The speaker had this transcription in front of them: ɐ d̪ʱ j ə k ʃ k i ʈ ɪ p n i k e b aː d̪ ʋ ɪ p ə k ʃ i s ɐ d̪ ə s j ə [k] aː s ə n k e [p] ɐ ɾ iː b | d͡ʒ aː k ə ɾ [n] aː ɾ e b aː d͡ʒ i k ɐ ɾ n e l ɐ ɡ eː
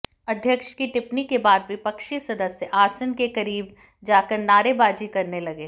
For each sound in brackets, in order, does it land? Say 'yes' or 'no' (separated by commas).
no, no, yes